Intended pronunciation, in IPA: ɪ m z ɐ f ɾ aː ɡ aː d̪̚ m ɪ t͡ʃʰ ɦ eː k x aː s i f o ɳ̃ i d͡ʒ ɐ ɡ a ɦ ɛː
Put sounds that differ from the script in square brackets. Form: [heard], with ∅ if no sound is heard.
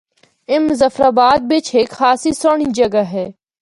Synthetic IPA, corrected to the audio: ɪ m z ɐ f ɾ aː [b] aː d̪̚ [b] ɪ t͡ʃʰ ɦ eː k x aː s i [s] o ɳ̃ i d͡ʒ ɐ ɡ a ɦ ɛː